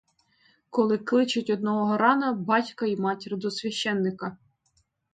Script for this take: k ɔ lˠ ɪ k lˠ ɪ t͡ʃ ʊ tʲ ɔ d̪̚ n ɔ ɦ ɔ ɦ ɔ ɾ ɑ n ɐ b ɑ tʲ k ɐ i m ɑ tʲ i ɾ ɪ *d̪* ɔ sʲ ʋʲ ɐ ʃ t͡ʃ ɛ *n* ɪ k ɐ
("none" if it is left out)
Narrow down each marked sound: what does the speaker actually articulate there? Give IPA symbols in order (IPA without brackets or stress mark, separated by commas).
d̪, nː